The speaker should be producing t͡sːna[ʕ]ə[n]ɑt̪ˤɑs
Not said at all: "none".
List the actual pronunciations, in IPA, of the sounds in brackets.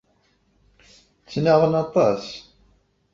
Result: ʁ, n

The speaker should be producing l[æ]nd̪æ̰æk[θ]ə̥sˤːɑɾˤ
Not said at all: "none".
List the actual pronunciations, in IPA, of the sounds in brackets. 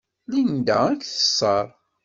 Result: i, θ

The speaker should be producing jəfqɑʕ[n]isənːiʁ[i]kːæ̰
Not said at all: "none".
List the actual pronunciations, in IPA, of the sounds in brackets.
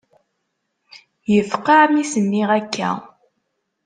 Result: m, æ

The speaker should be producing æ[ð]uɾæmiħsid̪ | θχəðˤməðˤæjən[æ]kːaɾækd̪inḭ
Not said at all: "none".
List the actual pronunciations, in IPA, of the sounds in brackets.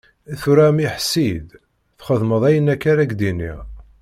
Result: θ, æ

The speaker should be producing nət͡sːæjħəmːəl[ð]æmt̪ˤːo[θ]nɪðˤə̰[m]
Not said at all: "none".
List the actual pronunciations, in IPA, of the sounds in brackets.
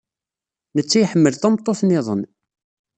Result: θ, θ, n

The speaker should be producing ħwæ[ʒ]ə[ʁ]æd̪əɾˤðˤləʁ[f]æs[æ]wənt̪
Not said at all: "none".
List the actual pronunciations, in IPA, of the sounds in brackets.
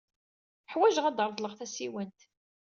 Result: ʒ, ʁ, θ, i

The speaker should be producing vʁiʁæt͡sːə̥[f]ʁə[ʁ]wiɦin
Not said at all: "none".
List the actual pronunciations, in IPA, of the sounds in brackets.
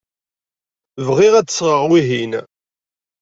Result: s, ʁ

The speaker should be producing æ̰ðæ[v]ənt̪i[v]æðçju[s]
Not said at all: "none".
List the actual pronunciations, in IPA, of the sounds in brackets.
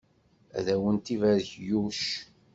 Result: w, v, ʃ

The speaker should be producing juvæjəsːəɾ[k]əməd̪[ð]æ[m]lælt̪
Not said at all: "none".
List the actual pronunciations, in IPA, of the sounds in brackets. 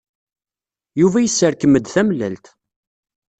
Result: k, θ, m

